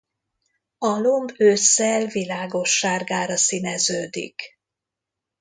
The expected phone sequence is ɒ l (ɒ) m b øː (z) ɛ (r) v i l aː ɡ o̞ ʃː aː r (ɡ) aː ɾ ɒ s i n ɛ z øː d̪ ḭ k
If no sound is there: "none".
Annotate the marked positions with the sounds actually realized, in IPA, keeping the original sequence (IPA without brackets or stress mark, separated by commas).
o, s, l, ɡ